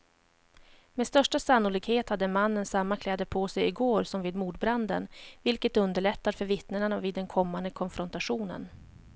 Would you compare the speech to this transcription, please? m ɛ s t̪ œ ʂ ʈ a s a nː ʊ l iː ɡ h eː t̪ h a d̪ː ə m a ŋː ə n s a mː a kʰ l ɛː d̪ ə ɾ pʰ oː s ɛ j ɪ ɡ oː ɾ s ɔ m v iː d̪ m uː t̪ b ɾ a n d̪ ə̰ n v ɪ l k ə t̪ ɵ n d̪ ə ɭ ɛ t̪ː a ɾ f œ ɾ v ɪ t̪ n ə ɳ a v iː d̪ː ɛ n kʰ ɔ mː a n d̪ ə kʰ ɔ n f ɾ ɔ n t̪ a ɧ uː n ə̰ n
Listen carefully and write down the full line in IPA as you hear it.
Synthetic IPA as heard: m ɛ s t̪ œ ʂ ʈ a s a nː ʊ l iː ɡ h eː t̪ h a d̪ː ə m a nː ə n s a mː a kʰ l ɛː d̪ ə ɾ pʰ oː s ɛ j ɪ ɡ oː ɾ s ɔ m v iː d̪ m uː d̪ b ɾ a n d̪ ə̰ n v ɪ l k ə t̪ ɵ n d̪ ə ɭ ɛ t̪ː a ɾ f œ ɾ v ɪ t̪ n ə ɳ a v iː d̪ː ɛ n kʰ ɔ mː a n d̪ ə kʰ ɔ n f ɾ ɔ n t̪ a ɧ uː n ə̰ n